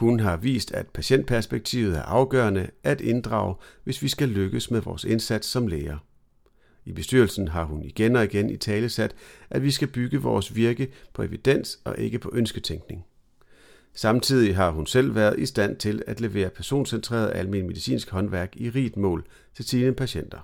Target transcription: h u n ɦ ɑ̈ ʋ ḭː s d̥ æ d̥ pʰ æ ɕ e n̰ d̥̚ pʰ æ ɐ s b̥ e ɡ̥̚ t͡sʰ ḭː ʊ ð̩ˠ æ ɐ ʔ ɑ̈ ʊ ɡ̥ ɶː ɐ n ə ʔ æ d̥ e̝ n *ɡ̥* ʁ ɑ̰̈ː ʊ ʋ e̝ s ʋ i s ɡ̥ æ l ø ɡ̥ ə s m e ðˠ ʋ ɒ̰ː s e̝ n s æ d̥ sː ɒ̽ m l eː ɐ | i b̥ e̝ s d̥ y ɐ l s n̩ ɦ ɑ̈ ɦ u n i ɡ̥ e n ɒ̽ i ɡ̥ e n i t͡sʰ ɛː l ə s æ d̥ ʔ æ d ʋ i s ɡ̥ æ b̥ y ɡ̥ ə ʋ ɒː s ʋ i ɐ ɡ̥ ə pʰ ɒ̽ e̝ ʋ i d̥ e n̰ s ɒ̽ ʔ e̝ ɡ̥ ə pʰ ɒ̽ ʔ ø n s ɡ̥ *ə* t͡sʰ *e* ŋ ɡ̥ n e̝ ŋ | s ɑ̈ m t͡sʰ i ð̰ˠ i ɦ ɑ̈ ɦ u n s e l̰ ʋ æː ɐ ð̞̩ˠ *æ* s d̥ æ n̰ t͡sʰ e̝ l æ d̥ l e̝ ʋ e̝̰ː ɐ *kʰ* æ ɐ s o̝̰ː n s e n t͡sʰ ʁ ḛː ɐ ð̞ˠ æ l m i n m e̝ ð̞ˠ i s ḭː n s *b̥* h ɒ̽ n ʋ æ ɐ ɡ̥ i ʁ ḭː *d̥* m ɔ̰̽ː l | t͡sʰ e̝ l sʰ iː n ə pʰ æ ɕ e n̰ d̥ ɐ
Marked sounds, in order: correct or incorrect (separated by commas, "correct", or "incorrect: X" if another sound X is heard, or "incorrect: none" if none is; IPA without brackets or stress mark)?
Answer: incorrect: d̥, correct, correct, incorrect: i, incorrect: pʰ, incorrect: ɡ̥, correct